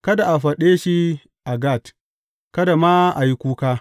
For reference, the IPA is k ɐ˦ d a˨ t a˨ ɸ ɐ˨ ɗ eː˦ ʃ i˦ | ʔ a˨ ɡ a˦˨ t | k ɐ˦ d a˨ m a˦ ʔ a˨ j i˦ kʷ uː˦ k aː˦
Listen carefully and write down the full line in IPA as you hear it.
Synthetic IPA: k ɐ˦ d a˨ ʔ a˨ ɸ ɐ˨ ɗ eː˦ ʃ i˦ | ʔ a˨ ɡ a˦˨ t | k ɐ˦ d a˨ m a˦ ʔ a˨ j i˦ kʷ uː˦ k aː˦